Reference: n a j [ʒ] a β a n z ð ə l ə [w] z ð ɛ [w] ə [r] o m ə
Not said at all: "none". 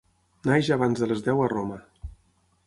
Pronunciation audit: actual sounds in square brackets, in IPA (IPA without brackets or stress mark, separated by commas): ʒ, none, w, r